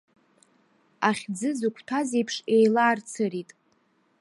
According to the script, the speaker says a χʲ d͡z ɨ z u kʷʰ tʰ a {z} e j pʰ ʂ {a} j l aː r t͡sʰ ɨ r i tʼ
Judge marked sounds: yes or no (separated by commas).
yes, no